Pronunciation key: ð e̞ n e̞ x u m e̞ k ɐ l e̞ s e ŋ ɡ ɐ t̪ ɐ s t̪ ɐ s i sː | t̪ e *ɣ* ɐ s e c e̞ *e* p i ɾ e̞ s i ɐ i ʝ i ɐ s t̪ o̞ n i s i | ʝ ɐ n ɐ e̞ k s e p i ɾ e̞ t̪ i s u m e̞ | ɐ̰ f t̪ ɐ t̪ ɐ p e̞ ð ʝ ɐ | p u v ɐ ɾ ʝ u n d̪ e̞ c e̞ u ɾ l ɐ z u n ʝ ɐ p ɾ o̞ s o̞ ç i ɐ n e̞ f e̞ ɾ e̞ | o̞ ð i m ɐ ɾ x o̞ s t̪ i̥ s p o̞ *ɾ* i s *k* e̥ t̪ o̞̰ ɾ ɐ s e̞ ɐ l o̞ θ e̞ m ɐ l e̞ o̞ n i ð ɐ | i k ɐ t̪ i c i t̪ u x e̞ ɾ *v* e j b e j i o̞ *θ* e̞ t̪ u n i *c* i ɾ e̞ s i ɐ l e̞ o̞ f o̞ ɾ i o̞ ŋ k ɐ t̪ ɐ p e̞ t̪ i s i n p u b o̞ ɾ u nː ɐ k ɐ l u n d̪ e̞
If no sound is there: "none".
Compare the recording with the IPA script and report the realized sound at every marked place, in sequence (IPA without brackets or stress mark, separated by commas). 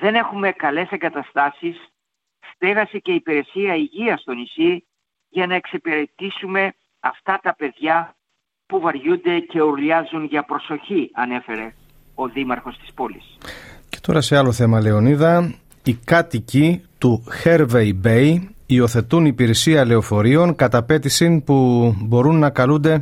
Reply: ɣ, i, l, c, v, θ, p